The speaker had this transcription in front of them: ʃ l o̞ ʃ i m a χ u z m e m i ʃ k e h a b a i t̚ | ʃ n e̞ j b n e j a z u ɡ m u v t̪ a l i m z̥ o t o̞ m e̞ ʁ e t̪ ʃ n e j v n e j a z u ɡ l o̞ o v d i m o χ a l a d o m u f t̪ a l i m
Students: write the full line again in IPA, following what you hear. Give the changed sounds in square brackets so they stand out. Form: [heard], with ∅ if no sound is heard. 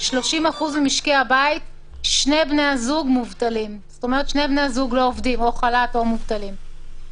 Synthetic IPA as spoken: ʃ l o̞ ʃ i m a χ u z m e m i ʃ k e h a b a i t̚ | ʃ n e̞ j b n e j a z u ɡ m u v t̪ a l i m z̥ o t o̞ m e̞ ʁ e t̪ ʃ n e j [b] n e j a z u ɡ l o̞ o v d i m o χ a l a [t] o m u [v] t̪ a l i m